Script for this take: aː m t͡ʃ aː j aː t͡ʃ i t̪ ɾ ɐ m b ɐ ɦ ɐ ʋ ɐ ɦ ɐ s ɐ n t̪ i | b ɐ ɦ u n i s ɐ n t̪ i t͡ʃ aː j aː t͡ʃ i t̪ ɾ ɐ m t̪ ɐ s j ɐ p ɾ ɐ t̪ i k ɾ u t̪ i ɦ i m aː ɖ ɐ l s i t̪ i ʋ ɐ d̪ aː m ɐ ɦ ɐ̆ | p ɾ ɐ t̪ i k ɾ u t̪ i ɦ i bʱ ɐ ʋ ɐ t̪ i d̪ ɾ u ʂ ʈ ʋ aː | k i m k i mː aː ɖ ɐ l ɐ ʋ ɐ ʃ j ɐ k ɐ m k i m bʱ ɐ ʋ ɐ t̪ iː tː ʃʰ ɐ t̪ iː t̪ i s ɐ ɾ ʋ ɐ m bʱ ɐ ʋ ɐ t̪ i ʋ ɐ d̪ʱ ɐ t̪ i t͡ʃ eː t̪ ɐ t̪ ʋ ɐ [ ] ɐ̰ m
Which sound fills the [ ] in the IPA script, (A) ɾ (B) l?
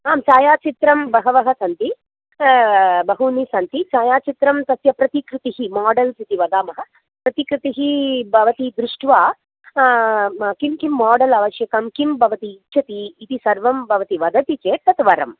A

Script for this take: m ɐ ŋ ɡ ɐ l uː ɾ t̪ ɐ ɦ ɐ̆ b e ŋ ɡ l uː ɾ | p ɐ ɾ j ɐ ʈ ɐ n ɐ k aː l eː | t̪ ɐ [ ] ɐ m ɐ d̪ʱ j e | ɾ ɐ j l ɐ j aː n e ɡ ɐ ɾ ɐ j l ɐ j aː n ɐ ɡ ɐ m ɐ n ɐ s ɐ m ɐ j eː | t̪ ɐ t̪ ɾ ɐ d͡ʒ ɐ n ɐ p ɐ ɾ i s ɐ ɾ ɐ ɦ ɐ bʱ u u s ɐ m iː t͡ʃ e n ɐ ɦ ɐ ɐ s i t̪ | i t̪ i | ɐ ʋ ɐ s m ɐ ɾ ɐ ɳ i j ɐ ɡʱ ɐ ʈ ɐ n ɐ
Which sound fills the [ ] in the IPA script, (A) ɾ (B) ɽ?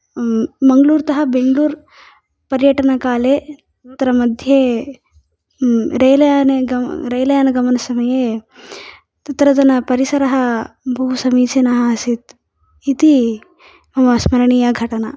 A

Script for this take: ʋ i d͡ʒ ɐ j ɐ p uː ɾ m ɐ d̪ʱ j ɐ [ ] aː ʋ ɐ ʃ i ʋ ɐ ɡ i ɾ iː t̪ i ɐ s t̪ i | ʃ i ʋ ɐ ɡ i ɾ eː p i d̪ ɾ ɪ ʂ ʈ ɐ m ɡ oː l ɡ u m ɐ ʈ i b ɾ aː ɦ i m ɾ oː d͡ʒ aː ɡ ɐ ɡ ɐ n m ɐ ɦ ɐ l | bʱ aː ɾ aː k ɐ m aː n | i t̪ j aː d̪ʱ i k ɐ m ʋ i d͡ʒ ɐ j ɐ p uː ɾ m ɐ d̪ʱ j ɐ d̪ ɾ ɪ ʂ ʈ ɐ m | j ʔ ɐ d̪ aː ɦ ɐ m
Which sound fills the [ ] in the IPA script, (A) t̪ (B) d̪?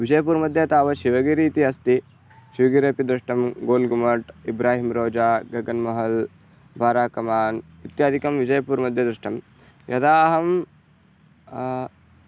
A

